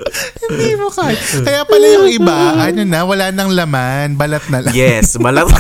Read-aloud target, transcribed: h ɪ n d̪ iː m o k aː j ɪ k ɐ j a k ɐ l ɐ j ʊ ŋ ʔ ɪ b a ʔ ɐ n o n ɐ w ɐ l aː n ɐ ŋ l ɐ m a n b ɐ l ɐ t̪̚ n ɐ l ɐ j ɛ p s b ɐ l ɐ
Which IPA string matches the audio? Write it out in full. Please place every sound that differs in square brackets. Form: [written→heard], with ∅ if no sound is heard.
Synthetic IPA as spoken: h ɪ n d̪ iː m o k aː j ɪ k ɐ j a [k→p] ɐ l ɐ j ʊ ŋ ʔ ɪ b a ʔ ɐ n o n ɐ w ɐ l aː n ɐ ŋ l ɐ m a n b ɐ l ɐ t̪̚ n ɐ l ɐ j ɛ [p→∅] s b ɐ l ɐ